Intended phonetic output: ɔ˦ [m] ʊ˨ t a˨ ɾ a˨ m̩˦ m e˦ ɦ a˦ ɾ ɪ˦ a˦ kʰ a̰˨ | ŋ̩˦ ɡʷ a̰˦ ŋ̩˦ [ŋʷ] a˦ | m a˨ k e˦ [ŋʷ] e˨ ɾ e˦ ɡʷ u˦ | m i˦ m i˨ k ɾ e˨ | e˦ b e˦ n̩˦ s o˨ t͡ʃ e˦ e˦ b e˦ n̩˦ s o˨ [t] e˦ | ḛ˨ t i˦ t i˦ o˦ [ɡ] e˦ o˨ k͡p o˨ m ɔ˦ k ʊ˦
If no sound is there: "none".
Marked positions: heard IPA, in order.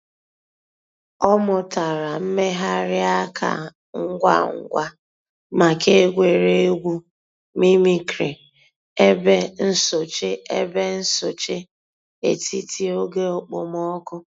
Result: m, ɡʷ, ɡʷ, t͡ʃ, ɡ

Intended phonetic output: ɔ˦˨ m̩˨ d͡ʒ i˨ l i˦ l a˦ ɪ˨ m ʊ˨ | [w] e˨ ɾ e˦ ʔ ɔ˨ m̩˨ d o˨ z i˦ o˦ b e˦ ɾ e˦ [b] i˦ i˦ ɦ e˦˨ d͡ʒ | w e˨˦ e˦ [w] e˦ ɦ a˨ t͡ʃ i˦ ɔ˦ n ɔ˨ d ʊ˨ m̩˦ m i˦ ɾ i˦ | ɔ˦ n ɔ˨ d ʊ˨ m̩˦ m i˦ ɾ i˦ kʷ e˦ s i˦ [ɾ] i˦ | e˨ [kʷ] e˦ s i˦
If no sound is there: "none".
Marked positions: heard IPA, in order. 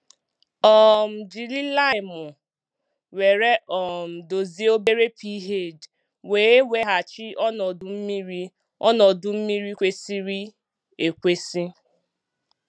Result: w, p, w, ɾ, kʷ

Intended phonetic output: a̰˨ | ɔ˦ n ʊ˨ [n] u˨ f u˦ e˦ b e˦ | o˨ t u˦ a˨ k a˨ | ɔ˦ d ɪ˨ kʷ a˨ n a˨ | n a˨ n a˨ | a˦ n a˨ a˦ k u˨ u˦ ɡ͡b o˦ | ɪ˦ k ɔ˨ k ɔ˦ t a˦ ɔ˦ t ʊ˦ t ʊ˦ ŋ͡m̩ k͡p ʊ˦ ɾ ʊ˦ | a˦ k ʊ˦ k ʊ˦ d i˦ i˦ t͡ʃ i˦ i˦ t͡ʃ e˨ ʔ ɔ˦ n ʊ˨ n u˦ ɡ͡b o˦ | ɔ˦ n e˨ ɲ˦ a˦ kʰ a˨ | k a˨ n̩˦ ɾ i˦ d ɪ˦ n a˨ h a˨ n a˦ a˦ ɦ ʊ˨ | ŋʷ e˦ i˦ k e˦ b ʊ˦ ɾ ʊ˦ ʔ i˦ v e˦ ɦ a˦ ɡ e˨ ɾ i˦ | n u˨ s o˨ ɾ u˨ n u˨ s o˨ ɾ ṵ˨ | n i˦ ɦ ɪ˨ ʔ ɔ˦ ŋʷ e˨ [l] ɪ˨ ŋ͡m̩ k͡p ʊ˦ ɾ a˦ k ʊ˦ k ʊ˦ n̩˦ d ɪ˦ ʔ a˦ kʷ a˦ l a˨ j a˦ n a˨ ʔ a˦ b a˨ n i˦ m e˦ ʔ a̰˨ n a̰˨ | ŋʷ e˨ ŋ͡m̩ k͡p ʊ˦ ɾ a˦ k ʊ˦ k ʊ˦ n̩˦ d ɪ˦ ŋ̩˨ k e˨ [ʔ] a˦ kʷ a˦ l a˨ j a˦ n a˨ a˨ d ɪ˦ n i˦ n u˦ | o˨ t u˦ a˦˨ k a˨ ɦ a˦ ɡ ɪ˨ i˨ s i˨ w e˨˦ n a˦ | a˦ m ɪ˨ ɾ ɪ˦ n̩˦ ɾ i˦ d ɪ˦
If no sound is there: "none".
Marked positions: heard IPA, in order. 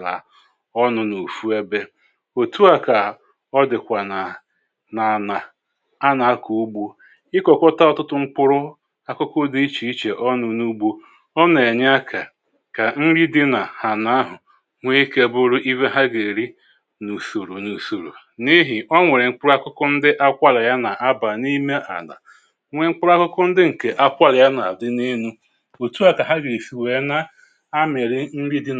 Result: n, ɾ, ʔ

